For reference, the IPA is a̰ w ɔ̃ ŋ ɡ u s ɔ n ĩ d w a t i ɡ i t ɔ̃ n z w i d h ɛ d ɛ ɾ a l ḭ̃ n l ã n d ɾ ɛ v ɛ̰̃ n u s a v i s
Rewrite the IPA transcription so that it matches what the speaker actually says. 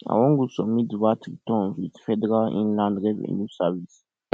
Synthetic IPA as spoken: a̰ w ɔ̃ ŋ ɡ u s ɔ m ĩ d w a t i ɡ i t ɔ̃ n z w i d f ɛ d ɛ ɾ a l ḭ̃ n l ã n d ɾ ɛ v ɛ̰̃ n u s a v i s